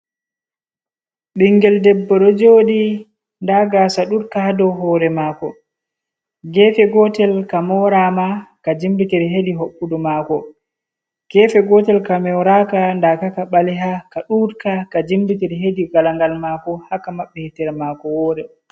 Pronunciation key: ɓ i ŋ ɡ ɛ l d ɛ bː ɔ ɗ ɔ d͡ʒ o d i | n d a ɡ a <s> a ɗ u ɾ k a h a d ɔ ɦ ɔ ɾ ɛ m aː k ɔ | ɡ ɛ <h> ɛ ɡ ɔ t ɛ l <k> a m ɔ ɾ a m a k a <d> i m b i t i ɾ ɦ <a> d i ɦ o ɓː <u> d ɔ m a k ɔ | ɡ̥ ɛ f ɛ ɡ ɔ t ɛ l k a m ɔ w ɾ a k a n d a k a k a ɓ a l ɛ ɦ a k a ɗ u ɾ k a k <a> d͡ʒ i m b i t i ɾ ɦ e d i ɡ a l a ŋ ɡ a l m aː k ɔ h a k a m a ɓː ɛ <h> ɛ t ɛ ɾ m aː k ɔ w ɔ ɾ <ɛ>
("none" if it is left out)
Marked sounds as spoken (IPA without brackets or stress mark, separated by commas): s, f, k, d͡ʒ, e, u, a, h, ɛ